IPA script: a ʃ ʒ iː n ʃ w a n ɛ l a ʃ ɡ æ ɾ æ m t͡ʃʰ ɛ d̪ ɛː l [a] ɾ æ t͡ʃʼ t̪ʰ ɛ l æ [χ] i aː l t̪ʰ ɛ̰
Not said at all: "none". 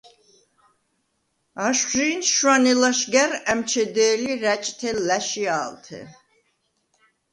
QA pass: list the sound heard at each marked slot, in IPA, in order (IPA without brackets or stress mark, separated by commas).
i, ʃ